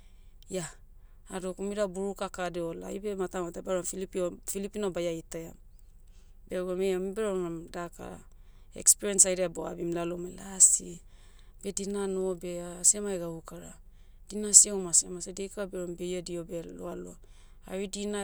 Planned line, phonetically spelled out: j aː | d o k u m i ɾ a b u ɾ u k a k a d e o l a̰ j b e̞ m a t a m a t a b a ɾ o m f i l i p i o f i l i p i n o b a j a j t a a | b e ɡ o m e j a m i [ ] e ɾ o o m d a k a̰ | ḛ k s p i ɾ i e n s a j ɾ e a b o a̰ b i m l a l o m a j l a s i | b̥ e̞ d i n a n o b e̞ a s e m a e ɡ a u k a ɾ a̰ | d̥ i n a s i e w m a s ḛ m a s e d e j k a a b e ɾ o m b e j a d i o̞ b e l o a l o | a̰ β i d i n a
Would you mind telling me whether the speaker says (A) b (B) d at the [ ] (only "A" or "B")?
A